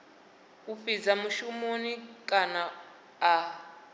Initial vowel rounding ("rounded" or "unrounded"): rounded